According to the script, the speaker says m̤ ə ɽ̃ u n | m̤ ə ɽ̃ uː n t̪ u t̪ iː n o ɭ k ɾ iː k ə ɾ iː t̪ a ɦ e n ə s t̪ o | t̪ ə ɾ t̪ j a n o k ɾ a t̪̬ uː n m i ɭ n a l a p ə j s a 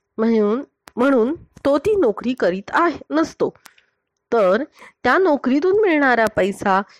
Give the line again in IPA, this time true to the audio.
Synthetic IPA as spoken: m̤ ə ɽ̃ uː n | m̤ ə ɽ̃ uː n t̪ o t̪ iː n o k ɾ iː k ə ɾ iː t̪ a ɦ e n ə s t̪ o | t̪ ə ɾ t̪ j a n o k ɾ i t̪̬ uː n m i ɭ ɳ a ɾ a p ə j s a